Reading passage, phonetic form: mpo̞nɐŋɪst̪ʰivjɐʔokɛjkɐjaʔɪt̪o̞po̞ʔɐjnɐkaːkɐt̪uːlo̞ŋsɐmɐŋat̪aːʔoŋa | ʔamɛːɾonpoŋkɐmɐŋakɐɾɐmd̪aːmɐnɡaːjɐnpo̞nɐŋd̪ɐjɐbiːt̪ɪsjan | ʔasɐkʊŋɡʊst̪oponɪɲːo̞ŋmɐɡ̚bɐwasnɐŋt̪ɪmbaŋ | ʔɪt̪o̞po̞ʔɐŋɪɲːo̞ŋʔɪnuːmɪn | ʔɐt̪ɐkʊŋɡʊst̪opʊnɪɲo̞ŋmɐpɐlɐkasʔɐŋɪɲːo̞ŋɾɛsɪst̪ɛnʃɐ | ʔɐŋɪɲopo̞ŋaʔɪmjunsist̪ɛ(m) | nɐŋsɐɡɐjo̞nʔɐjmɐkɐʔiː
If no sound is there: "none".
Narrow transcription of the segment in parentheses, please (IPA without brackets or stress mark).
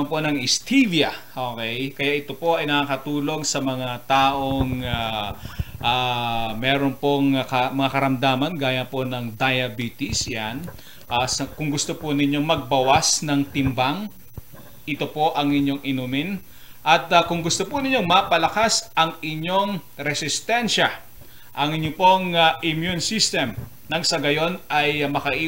m